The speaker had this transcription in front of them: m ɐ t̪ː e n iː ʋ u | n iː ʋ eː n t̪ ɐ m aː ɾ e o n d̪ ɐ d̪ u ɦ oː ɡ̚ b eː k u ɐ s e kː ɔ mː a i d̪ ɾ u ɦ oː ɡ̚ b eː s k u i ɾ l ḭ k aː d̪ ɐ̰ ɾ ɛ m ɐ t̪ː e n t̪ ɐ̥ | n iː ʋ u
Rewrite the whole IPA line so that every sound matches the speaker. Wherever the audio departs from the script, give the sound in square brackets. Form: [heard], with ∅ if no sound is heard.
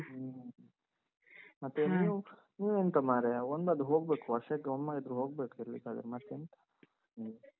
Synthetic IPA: m ɐ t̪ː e n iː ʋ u | n iː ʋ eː n t̪ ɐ m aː ɾ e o n d̪ ɐ d̪ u ɦ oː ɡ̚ b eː k u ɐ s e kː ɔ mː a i d̪ ɾ u ɦ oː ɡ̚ b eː [∅] k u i ɾ l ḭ k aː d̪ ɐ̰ ɾ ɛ m ɐ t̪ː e n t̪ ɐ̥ | n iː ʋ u